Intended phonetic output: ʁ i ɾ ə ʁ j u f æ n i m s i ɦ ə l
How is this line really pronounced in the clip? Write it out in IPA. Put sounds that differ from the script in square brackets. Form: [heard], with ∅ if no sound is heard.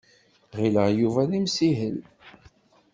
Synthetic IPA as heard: ʁ i [l] ə ʁ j u [v] æ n i m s i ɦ ə l